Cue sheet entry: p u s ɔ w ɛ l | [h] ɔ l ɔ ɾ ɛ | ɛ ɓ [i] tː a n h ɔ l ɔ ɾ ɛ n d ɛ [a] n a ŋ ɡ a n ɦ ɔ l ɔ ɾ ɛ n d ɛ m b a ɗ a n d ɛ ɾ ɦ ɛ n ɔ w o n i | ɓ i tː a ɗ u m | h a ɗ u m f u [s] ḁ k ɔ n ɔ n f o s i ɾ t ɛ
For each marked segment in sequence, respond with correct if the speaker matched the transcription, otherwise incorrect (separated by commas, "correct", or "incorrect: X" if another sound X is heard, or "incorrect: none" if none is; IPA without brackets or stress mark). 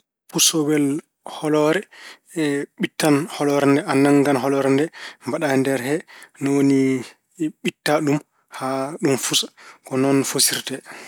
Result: correct, correct, correct, correct